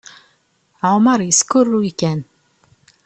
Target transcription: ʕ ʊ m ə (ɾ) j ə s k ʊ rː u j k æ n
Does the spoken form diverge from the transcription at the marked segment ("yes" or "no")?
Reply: no